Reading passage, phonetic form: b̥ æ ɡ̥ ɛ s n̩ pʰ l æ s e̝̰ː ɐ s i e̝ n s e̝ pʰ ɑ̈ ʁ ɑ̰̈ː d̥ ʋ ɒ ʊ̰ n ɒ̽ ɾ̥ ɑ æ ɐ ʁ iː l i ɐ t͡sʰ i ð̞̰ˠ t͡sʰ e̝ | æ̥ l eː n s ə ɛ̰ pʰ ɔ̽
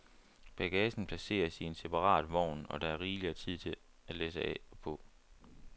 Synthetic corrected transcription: b̥ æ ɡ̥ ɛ s n̩ pʰ l æ s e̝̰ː ɐ s i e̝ n s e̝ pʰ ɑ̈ ʁ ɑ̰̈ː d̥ ʋ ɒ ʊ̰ n ɒ̽ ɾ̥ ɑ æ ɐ ʁ iː l i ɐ t͡sʰ i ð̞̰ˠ t͡sʰ e̝ | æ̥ l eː s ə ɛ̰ pʰ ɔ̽